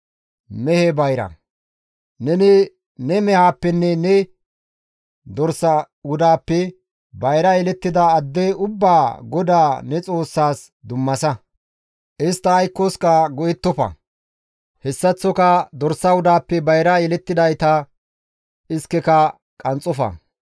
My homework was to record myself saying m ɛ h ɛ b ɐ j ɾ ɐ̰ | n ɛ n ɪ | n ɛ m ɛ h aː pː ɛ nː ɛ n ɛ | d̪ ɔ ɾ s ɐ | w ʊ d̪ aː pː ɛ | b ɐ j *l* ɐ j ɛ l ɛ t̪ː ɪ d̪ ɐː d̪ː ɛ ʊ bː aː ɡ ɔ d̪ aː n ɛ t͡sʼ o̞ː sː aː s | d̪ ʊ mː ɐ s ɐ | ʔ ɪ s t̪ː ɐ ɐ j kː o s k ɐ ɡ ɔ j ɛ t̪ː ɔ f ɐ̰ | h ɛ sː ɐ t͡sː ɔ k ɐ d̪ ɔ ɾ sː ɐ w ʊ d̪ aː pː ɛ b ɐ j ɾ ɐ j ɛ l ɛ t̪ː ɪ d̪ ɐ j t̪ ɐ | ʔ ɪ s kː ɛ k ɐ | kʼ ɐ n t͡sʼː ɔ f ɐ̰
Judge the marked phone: incorrect: ɾ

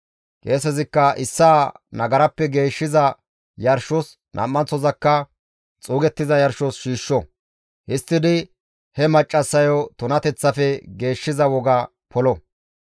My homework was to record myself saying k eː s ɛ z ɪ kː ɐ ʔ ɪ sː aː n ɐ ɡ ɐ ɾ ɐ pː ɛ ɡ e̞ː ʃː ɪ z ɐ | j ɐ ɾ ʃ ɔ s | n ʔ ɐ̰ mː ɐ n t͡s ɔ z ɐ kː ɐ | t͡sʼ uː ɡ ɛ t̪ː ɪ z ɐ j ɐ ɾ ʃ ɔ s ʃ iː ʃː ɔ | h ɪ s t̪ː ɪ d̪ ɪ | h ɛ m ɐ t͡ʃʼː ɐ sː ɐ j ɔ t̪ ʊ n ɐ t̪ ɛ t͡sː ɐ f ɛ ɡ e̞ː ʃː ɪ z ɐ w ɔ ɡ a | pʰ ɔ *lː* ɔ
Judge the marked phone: incorrect: l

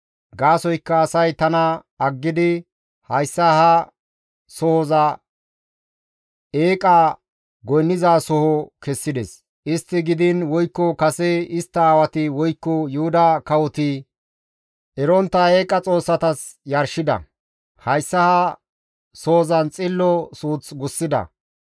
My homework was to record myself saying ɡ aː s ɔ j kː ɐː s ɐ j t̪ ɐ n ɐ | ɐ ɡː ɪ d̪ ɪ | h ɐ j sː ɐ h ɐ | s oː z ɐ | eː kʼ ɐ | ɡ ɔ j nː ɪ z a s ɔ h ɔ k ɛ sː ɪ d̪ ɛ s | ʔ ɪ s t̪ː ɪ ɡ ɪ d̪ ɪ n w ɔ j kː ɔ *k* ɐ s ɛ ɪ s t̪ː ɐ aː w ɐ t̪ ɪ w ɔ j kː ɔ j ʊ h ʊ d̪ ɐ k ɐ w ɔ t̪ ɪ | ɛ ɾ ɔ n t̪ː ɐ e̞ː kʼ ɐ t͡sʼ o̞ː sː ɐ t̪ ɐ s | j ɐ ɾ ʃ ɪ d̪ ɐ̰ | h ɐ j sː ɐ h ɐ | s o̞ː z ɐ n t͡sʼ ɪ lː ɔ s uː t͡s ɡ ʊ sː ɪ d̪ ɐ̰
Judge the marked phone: correct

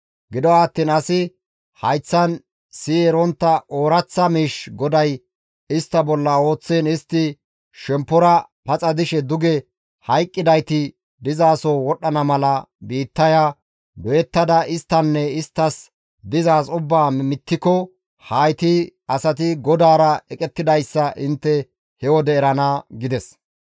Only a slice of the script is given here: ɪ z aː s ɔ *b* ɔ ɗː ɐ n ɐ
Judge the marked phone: incorrect: w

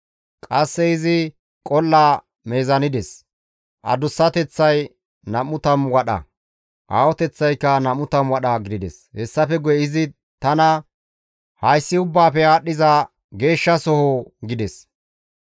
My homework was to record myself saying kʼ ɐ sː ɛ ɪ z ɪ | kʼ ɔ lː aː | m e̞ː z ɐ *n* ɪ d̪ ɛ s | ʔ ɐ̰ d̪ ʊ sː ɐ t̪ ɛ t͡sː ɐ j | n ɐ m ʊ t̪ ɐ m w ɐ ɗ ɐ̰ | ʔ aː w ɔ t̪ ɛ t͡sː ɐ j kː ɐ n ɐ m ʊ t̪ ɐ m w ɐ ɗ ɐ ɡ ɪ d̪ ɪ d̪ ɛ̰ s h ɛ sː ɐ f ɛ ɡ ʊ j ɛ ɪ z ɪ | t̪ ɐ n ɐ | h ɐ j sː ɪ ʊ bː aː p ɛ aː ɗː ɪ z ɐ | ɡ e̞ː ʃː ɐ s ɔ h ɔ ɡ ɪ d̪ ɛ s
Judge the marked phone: correct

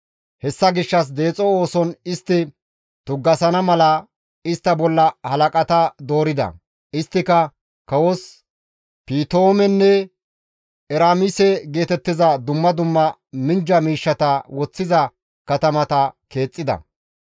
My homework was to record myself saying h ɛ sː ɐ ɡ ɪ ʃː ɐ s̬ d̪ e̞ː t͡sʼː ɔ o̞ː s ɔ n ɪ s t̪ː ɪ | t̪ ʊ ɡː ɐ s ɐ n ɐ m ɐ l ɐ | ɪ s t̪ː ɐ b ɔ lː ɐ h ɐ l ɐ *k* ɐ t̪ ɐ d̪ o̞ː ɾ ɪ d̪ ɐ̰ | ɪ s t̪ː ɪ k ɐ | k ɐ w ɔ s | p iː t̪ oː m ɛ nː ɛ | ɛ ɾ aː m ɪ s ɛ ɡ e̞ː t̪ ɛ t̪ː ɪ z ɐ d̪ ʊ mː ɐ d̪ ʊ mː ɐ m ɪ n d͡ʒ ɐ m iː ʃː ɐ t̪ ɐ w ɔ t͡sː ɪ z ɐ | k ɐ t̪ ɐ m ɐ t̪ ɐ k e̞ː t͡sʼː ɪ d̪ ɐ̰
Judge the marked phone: incorrect: kʼ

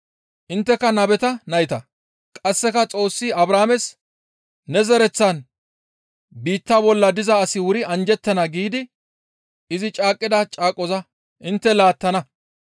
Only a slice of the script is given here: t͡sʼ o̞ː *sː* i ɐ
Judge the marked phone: correct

